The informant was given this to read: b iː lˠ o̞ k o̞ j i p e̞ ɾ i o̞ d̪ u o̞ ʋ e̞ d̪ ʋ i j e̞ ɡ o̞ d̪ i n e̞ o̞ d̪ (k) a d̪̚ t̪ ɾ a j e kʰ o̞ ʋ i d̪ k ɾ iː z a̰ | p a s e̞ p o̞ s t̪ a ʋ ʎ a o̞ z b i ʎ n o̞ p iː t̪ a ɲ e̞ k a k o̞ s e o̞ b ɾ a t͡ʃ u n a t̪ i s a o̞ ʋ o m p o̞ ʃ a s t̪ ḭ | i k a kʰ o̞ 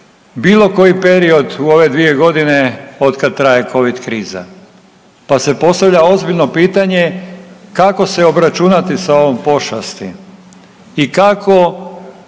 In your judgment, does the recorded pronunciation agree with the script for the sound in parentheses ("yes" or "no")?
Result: yes